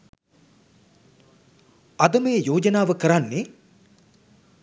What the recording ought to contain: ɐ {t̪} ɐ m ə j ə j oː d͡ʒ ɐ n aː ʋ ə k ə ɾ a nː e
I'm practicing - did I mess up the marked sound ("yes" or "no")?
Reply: yes